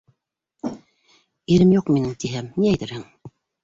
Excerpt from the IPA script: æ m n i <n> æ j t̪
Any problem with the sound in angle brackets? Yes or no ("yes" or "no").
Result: yes